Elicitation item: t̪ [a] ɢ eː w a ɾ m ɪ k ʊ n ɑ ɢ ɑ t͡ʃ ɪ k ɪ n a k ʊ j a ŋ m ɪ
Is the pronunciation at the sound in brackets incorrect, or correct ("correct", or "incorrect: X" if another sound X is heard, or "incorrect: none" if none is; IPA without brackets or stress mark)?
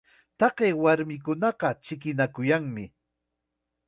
incorrect: ɑ